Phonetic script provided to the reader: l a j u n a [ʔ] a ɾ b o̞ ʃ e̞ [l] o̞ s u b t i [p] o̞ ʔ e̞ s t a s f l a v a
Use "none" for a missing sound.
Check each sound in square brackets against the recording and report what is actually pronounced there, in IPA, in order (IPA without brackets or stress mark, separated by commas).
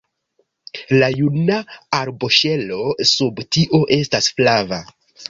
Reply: none, l, ʔ